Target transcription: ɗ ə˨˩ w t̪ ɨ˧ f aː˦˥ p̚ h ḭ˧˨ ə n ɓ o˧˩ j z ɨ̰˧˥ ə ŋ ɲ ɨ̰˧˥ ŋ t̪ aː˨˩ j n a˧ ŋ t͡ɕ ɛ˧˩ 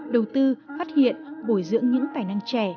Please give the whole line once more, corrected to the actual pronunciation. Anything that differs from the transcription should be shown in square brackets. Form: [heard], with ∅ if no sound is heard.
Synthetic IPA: ɗ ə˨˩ w t̪ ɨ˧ f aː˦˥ [t̚] h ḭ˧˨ ə n ɓ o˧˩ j z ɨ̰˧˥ ə ŋ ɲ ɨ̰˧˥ ŋ t̪ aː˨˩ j n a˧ ŋ t͡ɕ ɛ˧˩